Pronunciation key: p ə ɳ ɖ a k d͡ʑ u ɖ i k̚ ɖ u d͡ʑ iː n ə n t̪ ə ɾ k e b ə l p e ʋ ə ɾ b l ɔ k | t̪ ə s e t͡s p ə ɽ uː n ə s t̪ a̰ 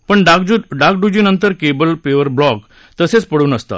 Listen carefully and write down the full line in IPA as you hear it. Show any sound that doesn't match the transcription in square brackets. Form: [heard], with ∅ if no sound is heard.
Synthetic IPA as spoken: p ə ɳ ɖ a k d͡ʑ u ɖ [a] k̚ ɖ u d͡ʑ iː n ə n t̪ ə ɾ k e b ə l p e ʋ ə ɾ b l ɔ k | t̪ ə s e t͡s p ə ɽ uː n ə s t̪ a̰